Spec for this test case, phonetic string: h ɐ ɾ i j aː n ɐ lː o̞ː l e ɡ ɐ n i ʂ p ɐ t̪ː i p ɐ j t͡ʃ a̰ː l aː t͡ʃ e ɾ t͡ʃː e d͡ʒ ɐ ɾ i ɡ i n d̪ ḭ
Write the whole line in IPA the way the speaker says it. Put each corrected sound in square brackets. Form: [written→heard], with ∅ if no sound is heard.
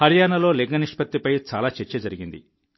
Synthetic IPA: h ɐ ɾ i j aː n ɐ [lː→l] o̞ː l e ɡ ɐ n i ʂ p ɐ t̪ː i p ɐ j t͡ʃ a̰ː l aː t͡ʃ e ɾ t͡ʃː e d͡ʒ ɐ ɾ i ɡ i n d̪ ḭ